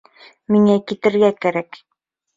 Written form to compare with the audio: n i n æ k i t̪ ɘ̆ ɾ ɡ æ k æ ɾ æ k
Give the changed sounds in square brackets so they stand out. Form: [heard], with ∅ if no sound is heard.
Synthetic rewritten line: [m] i [ŋ] æ k i t̪ ɘ̆ ɾ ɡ æ k æ ɾ æ k